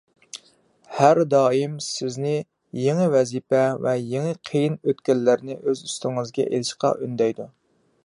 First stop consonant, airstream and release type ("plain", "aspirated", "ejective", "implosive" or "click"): plain